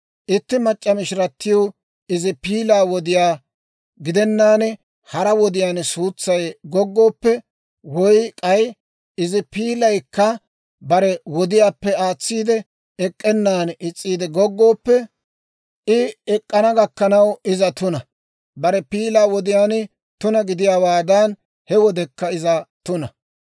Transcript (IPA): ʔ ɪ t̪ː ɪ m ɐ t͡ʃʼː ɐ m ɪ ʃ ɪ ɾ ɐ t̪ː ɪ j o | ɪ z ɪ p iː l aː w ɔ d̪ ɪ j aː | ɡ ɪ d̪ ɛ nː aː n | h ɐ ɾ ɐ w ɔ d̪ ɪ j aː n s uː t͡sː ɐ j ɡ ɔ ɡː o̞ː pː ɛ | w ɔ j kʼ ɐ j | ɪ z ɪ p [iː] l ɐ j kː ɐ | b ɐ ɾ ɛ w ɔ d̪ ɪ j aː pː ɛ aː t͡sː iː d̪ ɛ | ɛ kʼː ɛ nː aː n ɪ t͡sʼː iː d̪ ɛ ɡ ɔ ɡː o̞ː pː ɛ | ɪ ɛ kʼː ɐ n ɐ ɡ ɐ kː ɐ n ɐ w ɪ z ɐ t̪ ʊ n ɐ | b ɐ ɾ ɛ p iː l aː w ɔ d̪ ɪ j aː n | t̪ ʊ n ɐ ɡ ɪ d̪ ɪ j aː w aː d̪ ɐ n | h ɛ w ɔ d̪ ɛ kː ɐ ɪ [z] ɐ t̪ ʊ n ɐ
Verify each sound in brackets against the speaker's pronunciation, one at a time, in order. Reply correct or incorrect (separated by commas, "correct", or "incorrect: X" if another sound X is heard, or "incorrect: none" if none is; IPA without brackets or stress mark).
correct, correct